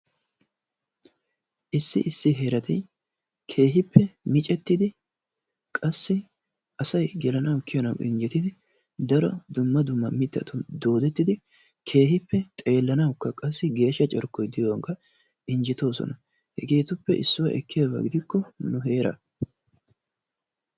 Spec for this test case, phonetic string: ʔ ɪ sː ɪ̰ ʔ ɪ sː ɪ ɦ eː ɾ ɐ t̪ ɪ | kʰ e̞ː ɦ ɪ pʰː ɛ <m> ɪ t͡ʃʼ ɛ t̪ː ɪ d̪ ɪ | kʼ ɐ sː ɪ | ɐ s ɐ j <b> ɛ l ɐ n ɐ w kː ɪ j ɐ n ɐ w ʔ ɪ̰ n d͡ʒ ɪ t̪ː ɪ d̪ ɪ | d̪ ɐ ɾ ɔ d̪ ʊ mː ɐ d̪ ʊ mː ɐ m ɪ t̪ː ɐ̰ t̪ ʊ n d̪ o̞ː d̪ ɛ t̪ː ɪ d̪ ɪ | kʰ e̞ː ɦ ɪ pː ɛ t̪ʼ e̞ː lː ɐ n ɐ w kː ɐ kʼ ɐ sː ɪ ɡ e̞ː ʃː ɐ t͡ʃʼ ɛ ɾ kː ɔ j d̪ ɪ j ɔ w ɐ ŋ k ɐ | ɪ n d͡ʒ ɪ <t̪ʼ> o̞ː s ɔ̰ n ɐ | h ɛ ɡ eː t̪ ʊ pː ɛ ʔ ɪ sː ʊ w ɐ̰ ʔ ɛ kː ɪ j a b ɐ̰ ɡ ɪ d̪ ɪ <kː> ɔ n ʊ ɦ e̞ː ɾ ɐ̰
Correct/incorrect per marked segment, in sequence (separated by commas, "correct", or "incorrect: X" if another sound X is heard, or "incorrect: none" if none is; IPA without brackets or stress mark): correct, incorrect: ɡ, incorrect: t̪, correct